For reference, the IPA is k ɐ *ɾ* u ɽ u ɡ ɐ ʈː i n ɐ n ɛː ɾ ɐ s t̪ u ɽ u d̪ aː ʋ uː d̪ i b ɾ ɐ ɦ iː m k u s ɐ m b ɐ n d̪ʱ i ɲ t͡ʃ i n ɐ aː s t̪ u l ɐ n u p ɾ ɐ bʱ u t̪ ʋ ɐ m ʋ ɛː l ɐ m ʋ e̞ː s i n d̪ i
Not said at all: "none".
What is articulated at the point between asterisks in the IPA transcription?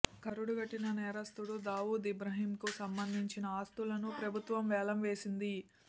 ɾ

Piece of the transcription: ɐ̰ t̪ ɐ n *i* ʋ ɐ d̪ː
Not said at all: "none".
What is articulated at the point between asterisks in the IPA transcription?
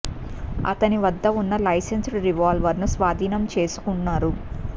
i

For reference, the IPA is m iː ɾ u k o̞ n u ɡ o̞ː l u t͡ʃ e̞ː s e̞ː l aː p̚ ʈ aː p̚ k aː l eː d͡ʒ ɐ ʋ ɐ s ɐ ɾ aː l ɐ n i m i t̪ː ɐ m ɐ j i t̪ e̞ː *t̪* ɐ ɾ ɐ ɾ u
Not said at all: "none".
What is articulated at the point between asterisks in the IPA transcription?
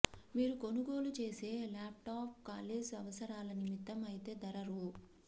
d̪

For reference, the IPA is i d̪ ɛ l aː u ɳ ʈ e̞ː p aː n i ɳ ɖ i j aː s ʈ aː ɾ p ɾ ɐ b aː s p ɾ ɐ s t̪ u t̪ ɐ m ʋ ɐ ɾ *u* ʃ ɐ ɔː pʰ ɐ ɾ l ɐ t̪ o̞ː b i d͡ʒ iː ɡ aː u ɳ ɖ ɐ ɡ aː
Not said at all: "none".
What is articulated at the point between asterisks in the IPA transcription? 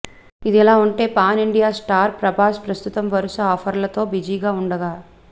u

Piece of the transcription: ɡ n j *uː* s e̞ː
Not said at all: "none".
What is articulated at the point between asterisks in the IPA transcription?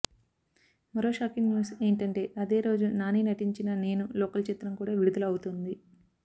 uː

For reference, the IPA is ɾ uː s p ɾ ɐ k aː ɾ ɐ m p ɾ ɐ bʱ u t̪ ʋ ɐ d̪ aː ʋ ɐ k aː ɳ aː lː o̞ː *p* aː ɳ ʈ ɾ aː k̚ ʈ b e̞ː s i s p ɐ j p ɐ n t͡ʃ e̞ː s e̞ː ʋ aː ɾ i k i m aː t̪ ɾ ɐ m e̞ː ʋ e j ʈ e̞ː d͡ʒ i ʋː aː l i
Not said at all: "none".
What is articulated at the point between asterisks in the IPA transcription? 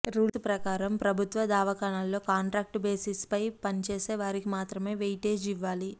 k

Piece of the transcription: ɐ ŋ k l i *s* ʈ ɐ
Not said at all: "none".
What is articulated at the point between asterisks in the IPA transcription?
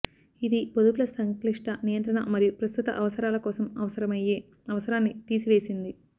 ʂ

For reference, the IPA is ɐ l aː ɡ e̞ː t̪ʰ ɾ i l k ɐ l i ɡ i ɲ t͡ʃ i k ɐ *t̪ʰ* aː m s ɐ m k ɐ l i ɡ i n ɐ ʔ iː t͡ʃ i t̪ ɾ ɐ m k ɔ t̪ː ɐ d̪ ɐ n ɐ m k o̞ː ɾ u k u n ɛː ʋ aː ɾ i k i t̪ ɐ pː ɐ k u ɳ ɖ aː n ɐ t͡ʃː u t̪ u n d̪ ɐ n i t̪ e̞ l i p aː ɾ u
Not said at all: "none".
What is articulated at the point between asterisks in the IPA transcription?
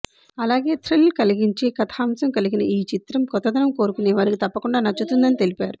t̪ʰ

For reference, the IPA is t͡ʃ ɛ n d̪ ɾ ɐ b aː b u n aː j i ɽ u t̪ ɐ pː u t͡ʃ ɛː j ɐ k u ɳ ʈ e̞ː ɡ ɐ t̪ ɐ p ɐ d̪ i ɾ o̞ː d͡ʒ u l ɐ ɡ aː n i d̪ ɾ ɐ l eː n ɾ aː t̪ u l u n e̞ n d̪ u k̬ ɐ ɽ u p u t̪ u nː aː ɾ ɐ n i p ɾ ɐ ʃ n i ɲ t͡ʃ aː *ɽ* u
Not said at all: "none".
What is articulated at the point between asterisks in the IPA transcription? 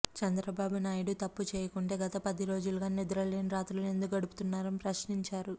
ɾ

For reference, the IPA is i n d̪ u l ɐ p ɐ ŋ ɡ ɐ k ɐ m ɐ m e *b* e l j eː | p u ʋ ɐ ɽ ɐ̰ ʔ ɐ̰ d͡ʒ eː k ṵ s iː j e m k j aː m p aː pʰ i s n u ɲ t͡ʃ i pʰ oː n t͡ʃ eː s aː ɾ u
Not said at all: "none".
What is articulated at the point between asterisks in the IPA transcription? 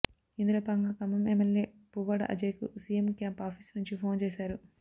m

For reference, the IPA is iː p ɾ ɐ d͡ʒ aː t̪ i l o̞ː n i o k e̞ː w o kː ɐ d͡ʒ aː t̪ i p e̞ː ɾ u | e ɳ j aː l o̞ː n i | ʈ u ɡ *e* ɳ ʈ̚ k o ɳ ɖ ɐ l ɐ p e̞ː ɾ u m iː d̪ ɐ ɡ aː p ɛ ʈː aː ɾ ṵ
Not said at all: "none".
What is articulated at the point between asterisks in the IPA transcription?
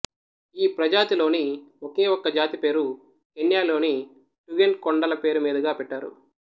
e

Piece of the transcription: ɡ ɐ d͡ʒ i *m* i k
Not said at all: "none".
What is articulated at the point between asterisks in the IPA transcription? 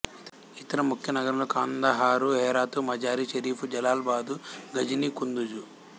n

